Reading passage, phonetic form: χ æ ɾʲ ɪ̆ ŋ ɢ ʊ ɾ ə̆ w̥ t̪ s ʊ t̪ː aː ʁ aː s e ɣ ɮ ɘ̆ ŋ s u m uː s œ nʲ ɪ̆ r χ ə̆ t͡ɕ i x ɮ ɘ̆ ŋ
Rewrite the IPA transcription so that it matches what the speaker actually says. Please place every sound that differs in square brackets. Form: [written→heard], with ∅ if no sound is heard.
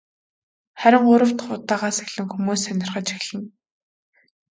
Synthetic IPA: χ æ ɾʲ ɪ̆ ŋ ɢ ʊ ɾ ə̆ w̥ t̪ [s→χ] ʊ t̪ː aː ʁ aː s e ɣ ɮ ɘ̆ ŋ [s→x] u m uː s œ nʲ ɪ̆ r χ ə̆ t͡ɕ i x ɮ ɘ̆ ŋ